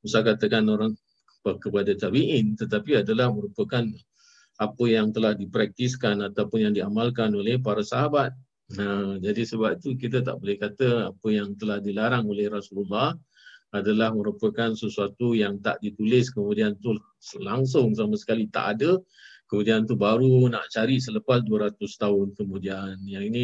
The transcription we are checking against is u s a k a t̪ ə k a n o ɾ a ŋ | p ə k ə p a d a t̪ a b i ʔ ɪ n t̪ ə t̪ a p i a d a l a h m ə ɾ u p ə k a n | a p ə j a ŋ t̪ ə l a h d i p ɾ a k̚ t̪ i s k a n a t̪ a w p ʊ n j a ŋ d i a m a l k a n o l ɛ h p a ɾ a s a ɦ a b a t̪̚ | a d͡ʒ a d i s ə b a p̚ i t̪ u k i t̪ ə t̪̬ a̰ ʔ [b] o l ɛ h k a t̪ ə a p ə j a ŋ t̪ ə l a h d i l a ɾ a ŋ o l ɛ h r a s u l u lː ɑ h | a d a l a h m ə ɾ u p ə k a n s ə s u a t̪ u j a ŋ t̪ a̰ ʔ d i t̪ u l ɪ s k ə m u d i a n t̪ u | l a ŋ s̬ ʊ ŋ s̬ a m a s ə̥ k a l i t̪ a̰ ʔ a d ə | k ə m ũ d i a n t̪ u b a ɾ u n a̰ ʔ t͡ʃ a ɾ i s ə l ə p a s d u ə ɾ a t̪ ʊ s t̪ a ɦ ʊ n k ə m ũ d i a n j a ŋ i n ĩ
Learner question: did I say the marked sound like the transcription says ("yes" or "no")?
yes